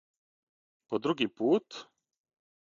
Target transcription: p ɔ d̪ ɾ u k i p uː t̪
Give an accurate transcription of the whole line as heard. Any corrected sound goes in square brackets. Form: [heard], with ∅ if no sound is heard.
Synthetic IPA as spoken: p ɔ d̪ ɾ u [ɡ] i p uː t̪